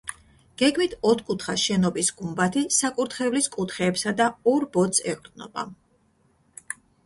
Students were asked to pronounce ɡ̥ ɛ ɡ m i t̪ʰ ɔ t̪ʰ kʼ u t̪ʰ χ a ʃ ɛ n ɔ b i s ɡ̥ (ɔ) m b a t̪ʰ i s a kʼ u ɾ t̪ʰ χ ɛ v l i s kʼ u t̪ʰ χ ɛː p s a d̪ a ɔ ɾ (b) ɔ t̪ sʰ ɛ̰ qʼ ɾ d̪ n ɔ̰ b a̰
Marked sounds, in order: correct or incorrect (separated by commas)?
incorrect, correct